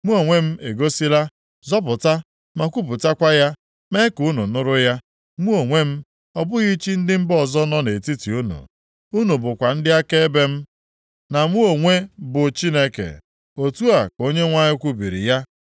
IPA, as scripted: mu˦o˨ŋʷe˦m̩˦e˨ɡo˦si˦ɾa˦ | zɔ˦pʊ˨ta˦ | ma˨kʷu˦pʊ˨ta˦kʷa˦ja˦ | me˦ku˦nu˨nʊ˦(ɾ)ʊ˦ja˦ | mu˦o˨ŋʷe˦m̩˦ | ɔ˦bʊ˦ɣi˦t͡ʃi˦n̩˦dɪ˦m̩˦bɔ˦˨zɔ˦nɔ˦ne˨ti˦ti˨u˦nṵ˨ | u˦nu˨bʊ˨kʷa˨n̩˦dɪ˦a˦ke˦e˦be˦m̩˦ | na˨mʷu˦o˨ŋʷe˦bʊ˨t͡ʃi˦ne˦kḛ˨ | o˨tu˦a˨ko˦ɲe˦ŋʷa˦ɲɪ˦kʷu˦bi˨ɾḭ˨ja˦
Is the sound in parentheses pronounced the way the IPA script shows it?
yes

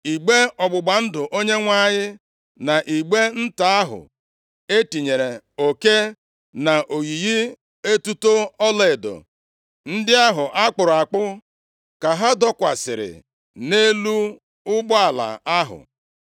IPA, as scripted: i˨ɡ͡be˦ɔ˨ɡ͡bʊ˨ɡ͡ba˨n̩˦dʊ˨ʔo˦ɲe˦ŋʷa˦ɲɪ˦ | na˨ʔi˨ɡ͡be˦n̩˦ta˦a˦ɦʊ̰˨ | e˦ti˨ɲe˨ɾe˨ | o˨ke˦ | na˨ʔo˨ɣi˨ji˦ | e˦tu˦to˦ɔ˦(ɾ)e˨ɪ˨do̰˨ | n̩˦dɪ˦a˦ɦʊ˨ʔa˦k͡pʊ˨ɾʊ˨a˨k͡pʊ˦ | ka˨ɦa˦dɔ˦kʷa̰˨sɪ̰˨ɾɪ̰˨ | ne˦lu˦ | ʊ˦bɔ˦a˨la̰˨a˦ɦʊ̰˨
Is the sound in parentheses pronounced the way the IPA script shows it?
no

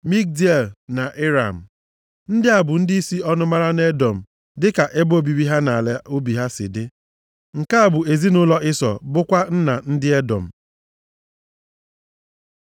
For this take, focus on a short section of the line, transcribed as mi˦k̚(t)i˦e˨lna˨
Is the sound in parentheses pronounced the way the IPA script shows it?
no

